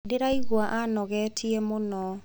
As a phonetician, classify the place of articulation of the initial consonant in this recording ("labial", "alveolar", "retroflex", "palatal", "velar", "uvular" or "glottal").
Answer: alveolar